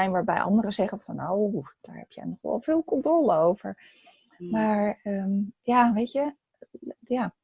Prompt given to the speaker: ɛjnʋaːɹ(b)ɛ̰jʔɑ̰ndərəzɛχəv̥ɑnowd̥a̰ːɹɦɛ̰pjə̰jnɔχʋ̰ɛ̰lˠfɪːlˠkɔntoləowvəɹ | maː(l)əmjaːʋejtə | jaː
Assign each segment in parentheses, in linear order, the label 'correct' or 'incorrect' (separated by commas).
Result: correct, incorrect